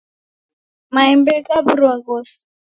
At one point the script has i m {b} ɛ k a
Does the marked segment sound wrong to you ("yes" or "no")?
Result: no